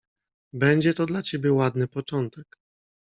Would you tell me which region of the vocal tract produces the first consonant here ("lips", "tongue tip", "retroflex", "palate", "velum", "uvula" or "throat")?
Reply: lips